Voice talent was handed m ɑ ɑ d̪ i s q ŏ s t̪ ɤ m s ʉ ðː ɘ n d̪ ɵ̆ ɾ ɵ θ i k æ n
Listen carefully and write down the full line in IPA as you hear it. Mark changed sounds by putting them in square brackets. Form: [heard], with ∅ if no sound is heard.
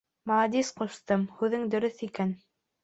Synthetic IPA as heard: m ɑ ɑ d̪ i s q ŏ s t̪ ɤ m [h] ʉ [ð] ɘ [ŋ] d̪ ɵ̆ ɾ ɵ θ i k æ n

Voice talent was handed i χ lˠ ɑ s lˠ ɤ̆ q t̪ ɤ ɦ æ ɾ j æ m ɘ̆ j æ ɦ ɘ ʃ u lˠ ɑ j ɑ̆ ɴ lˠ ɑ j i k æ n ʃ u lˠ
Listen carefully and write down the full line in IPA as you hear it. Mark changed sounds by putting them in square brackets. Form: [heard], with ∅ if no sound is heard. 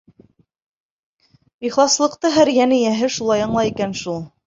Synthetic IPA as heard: i χ lˠ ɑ s lˠ ɤ̆ q t̪ ɤ ɦ æ ɾ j æ [n] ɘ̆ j æ ɦ ɘ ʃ u lˠ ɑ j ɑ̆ ɴ lˠ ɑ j i k æ n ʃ u lˠ

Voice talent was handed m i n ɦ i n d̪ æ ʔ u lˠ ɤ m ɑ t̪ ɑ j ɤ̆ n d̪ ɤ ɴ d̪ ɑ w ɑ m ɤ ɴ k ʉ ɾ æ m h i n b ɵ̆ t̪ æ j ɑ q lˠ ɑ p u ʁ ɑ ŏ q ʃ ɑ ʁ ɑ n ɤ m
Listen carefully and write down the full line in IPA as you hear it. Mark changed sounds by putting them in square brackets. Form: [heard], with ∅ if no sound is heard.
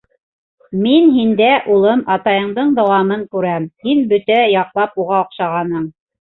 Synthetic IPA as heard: m i n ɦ i n d̪ æ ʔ u lˠ ɤ m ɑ t̪ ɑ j ɤ̆ [ɴ] d̪ ɤ ɴ d̪ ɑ w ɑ m ɤ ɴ k ʉ ɾ æ m h i n b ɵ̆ t̪ æ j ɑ q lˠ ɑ p u ʁ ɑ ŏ q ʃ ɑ ʁ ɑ n ɤ [ɴ]

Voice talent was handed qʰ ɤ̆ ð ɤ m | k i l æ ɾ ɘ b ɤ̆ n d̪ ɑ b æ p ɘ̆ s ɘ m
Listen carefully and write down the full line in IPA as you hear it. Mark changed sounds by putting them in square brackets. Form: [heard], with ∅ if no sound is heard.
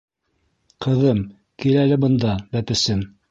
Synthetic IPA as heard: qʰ ɤ̆ ð ɤ m | k i l æ [l] ɘ b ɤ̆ n d̪ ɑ b æ p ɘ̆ s ɘ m

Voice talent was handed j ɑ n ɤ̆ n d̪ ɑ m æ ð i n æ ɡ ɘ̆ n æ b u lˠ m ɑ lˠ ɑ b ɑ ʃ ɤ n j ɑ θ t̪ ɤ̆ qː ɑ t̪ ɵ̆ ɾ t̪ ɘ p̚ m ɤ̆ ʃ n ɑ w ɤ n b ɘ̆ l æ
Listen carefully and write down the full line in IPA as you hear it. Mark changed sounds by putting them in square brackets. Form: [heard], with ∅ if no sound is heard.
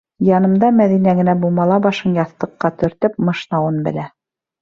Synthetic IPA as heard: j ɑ n ɤ̆ [m] d̪ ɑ m æ ð i n æ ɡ ɘ̆ n æ b u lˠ m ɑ lˠ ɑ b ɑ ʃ ɤ n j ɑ θ t̪ ɤ̆ qː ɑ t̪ ɵ̆ ɾ t̪ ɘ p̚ m ɤ̆ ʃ n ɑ w ɤ n b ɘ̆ l æ

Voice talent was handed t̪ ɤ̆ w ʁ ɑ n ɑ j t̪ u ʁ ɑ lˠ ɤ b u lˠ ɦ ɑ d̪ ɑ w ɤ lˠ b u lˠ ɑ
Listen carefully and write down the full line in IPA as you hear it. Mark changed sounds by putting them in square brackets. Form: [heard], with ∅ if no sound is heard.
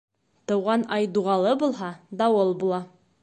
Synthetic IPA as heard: t̪ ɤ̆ w ʁ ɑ n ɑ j [d̪] u ʁ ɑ lˠ ɤ b u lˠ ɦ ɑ d̪ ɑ w ɤ lˠ b u lˠ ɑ

